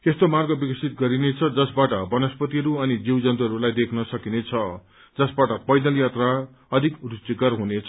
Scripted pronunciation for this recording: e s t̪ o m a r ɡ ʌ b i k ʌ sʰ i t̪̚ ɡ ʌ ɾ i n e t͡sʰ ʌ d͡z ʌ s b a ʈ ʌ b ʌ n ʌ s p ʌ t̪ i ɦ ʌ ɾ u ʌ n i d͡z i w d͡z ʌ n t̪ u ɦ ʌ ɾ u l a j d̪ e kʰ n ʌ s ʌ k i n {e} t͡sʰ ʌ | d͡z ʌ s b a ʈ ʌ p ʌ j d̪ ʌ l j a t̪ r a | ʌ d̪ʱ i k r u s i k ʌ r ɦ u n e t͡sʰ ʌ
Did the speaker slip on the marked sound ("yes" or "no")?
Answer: no